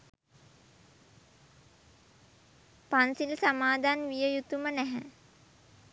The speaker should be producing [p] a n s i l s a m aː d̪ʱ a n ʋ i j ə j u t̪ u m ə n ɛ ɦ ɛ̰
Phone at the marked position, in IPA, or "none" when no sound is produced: p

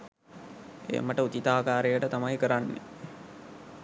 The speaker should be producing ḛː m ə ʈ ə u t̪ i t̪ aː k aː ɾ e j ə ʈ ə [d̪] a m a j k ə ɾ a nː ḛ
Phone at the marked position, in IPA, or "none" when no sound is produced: t̪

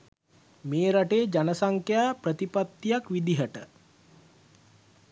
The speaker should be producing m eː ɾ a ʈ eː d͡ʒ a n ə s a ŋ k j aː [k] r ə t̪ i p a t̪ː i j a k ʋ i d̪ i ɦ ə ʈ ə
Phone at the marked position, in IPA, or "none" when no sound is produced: p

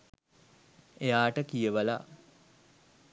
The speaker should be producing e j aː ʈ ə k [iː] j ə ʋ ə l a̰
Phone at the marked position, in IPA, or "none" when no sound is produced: i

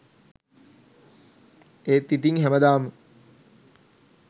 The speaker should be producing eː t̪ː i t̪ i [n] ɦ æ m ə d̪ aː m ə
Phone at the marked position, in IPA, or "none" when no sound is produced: ŋ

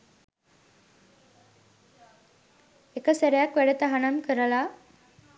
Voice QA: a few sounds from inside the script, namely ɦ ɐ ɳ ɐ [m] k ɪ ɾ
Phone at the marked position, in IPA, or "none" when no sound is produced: m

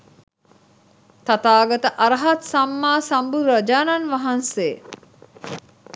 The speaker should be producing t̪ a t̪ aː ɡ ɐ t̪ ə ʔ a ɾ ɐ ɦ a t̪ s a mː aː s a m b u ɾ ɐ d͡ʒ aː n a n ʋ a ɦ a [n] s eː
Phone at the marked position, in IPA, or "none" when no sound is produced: n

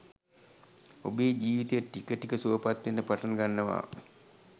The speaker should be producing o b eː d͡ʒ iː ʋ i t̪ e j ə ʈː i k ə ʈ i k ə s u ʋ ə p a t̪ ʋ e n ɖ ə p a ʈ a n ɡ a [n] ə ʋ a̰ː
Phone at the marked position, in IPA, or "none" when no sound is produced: nː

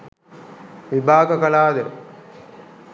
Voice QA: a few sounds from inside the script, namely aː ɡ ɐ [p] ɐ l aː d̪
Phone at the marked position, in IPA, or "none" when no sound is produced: k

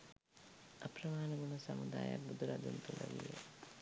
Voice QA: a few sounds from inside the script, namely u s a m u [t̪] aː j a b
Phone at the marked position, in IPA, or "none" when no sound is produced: d̪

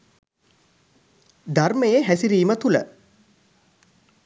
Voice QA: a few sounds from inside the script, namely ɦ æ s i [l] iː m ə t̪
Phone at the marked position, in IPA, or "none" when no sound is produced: ɾ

